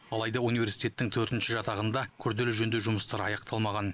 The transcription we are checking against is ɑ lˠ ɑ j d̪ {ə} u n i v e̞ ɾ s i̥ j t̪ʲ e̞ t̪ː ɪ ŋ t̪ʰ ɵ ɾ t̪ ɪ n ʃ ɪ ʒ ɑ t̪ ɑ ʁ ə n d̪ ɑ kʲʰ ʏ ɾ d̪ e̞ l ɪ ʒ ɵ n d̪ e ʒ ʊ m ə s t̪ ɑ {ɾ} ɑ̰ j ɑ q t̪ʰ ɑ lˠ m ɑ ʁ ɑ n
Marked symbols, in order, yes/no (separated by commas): no, yes